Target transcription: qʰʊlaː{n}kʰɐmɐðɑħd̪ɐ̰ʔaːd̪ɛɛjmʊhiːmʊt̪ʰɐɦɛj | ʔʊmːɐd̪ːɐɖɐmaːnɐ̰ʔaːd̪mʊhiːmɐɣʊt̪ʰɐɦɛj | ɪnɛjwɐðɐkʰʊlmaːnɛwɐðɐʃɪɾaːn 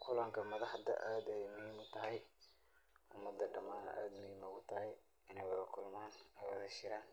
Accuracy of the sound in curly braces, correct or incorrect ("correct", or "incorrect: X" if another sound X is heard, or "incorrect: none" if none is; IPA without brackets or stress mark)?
incorrect: ŋ